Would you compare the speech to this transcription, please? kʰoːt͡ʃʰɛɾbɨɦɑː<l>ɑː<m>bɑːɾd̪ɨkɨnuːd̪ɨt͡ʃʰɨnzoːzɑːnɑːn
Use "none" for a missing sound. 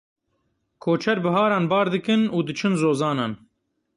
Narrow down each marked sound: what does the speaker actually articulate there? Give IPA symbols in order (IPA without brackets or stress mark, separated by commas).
ɾ, n